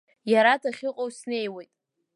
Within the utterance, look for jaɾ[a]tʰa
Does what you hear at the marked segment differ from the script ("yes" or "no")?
no